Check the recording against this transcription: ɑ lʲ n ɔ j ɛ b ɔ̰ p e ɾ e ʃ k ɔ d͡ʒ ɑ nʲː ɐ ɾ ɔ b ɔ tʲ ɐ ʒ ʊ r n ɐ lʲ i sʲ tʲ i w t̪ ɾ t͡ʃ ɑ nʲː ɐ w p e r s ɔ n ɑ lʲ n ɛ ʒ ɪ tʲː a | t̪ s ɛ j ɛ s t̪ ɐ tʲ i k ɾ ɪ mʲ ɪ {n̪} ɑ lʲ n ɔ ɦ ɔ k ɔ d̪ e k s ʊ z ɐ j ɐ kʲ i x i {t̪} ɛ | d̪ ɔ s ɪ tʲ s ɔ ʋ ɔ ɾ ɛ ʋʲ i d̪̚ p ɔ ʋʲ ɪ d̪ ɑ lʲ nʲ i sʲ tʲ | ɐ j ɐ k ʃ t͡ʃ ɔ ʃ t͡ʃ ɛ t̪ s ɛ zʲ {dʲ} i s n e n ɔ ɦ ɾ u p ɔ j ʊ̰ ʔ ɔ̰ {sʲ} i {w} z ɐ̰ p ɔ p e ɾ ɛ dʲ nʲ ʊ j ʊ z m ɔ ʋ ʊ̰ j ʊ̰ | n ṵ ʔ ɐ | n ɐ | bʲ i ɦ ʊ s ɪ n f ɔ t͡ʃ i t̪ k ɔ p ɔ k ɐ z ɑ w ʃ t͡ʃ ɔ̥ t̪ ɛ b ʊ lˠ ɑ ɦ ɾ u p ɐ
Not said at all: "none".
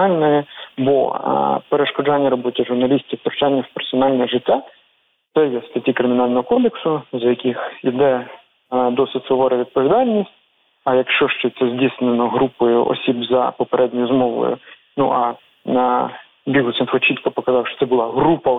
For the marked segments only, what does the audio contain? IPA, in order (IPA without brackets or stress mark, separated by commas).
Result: n̪, d̪, dʲ, sʲ, b